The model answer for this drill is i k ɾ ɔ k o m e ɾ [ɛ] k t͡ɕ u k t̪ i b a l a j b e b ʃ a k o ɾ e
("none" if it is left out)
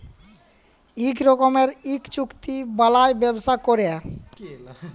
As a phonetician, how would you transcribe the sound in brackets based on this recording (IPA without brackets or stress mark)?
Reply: i